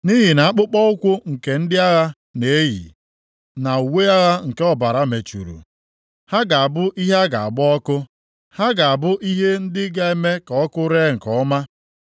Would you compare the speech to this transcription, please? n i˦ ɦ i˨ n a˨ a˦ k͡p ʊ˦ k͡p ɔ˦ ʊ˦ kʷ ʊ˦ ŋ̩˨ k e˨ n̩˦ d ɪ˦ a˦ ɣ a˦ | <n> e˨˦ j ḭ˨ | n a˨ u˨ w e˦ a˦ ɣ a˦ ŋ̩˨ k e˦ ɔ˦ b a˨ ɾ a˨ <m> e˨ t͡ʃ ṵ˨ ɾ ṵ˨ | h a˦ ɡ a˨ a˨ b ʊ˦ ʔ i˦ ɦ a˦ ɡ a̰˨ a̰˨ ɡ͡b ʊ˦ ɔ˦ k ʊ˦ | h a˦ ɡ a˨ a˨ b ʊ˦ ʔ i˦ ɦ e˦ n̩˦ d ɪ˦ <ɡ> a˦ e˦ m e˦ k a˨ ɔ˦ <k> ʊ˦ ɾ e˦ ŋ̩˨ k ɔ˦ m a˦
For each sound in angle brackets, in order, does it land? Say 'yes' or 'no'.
yes, yes, yes, yes

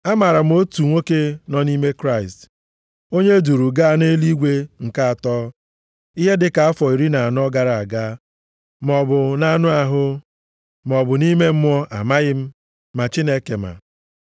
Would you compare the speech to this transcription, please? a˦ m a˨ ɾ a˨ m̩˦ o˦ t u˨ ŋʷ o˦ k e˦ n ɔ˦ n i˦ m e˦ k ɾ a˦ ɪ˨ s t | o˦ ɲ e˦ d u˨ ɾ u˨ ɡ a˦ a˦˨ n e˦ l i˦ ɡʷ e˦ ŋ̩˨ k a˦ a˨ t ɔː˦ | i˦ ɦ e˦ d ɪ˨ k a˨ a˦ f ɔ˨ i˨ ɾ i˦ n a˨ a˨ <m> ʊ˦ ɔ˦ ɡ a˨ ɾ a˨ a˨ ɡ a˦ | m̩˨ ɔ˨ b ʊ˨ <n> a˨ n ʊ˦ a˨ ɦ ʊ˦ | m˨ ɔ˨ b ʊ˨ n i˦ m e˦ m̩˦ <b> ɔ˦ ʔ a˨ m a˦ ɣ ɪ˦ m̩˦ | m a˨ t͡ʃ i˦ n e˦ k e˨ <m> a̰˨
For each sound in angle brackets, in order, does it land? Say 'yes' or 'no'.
no, yes, no, yes

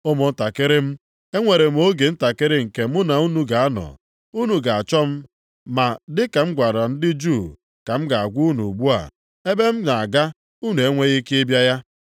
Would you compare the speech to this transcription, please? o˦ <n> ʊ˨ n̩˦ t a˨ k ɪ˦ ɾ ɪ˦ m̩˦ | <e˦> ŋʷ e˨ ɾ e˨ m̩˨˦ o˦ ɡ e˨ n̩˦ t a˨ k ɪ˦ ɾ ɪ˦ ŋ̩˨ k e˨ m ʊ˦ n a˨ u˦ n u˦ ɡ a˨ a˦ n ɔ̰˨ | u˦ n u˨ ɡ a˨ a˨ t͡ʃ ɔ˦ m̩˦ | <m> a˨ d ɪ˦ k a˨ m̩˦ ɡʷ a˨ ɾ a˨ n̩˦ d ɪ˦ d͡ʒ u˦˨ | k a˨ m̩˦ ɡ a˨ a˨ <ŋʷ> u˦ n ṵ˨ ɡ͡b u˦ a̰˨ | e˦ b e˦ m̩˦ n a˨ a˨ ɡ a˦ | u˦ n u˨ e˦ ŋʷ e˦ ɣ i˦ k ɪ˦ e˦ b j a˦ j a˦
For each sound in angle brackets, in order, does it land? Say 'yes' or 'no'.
no, yes, yes, no

